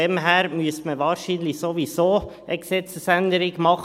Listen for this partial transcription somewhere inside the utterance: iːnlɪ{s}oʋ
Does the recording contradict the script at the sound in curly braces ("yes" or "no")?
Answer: no